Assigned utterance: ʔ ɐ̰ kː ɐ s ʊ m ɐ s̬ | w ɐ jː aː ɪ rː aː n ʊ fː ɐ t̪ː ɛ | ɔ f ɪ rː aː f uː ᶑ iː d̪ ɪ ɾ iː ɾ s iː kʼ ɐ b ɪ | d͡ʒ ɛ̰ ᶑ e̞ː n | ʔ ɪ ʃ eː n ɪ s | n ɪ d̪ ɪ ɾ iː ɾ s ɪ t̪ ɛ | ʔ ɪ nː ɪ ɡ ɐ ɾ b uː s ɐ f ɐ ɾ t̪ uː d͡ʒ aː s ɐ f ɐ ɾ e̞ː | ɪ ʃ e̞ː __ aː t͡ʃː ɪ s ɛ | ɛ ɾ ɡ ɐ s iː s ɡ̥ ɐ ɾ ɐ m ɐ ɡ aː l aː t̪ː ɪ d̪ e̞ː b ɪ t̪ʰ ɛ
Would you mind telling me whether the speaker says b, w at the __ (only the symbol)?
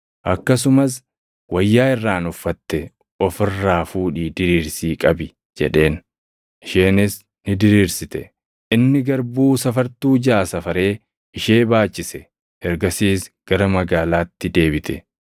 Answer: b